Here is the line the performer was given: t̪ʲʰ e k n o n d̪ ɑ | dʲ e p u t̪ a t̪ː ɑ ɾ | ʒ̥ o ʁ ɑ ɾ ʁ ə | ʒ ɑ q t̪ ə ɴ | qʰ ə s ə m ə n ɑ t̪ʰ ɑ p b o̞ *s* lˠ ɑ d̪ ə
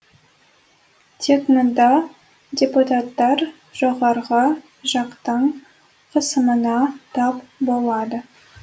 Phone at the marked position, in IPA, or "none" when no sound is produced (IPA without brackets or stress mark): none